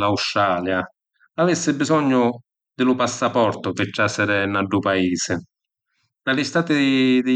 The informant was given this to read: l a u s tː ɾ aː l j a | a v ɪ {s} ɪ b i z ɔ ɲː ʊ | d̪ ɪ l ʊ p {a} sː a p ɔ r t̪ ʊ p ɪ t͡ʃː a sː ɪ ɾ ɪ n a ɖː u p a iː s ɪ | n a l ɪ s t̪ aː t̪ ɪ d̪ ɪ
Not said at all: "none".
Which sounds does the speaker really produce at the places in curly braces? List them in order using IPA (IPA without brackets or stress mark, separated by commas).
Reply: sː, a